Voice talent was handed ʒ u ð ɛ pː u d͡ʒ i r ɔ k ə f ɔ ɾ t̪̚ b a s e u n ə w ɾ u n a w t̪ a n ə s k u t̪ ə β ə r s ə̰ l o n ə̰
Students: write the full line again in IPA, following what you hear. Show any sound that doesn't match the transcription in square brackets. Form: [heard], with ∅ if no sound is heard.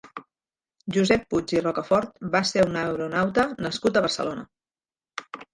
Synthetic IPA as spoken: ʒ u [z] ɛ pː u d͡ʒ i r ɔ k ə f ɔ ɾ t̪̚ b a s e u n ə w ɾ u n a w t̪ [ə] n ə s k u t̪ ə β ə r s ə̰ l o n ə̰